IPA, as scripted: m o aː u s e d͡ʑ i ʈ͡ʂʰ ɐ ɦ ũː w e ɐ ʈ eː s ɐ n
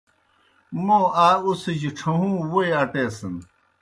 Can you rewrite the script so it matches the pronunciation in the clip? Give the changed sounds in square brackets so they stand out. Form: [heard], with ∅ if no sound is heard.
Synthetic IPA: m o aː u s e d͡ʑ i ʈ͡ʂʰ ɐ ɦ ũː w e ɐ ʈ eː s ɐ n

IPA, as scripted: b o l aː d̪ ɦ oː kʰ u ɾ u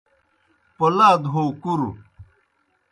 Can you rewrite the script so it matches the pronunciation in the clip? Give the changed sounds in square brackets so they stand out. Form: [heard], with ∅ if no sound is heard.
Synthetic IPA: [p] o l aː d̪ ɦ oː [k] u ɾ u

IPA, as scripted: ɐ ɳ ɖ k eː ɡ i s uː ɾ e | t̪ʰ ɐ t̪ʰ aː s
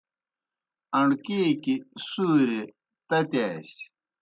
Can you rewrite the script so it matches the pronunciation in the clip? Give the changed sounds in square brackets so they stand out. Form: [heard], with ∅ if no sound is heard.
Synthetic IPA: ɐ ɳ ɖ k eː [k] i s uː ɾ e | [t̪] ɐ [t̪] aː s

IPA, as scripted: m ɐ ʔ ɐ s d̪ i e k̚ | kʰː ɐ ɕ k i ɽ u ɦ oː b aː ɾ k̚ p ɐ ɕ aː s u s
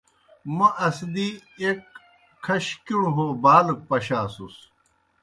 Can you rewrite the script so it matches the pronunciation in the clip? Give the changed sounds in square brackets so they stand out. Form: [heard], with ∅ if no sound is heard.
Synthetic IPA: m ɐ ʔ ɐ s d̪ i e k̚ | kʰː ɐ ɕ k i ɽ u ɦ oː b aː [l] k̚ p ɐ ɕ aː s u s

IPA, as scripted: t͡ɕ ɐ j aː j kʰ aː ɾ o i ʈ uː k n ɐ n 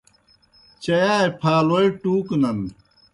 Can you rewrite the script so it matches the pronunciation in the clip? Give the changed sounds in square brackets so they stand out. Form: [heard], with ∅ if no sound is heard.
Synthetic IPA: t͡ɕ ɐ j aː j [pʰ] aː [l] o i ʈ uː k n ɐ n

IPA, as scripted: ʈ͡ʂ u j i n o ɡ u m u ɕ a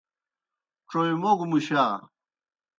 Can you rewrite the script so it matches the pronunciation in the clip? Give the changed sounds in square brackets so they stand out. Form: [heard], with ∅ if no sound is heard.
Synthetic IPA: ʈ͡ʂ [o] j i [m] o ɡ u m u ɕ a

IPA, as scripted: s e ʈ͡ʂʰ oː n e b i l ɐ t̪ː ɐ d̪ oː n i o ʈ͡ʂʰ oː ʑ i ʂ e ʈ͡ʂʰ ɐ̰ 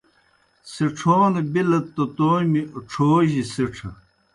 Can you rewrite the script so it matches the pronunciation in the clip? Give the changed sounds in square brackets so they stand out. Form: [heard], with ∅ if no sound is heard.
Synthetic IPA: s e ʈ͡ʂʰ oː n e b i l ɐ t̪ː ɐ [t̪] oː [m] i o ʈ͡ʂʰ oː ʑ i [s] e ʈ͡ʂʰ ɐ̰

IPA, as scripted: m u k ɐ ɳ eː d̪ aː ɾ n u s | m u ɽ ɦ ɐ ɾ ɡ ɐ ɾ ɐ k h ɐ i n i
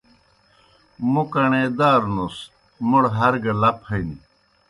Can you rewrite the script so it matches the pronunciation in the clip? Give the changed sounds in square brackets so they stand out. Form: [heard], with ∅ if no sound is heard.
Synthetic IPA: m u k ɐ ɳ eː d̪ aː ɾ n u s | m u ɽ ɦ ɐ ɾ ɡ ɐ [l] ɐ [p] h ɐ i n i

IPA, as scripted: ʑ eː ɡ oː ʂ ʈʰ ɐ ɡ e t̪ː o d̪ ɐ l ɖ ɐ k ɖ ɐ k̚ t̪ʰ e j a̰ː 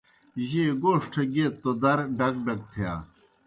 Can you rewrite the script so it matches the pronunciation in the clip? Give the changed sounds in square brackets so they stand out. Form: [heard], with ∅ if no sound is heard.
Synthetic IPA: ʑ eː ɡ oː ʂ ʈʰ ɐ ɡ e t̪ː o d̪ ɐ [ɾ] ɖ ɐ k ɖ ɐ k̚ t̪ʰ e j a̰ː

